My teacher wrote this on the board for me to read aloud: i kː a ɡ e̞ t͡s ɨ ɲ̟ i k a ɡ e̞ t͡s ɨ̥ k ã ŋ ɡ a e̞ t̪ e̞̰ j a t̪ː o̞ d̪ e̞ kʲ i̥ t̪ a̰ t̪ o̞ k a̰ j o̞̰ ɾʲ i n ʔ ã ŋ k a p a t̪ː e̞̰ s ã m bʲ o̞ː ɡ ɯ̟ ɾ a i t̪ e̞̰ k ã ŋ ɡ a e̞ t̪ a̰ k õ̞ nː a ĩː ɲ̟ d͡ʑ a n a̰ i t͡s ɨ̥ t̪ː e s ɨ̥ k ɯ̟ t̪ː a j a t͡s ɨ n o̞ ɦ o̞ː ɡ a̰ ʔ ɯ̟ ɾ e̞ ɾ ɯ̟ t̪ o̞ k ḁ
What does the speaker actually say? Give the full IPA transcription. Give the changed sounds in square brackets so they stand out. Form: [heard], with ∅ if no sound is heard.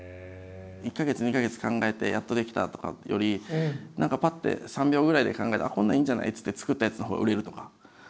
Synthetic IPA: i kː a ɡ e̞ t͡s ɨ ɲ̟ i k a ɡ e̞ t͡s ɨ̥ k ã ŋ ɡ a e̞ t̪ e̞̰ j a t̪ː o̞ d̪ e̞ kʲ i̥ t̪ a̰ t̪ o̞ k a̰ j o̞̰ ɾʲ i n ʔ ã ŋ k a p a t̪ː e̞̰ s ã m bʲ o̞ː ɡ ɯ̟ ɾ a i [d̪] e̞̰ k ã ŋ ɡ a e̞ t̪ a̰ k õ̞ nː a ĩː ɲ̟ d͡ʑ a n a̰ i t͡s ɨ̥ t̪ː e [t͡s] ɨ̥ k ɯ̟ t̪ː a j a t͡s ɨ n o̞ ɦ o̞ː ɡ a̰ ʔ ɯ̟ ɾ e̞ ɾ ɯ̟ t̪ o̞ k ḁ